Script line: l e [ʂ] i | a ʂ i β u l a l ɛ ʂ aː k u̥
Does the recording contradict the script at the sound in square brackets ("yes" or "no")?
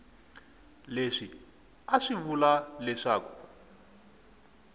no